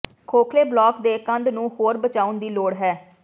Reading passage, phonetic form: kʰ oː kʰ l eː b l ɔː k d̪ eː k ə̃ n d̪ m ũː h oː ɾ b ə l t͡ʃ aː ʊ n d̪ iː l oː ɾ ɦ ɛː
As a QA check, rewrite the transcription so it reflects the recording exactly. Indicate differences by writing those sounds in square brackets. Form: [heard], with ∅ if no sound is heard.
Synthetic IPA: kʰ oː kʰ l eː b l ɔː k d̪ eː k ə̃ n d̪ [n] ũː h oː ɾ b ə [∅] t͡ʃ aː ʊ n d̪ iː l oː [ɽ] ɦ ɛː